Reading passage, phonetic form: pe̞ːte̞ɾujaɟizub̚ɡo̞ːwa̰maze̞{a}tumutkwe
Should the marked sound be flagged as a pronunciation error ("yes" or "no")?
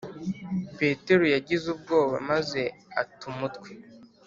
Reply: no